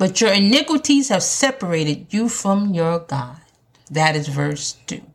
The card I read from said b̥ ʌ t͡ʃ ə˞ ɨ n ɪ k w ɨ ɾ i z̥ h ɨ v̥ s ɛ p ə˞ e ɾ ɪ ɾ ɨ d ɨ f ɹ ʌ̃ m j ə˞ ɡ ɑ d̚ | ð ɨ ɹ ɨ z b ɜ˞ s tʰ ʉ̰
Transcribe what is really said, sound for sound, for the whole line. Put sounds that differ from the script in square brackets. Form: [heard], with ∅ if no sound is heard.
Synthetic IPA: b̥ ʌ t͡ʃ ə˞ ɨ n ɪ k w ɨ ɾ i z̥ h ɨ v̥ s ɛ p ə˞ e [∅] ɪ ɾ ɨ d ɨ f ɹ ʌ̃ m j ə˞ ɡ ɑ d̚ | ð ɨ [ɾ] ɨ z [v] ɜ˞ s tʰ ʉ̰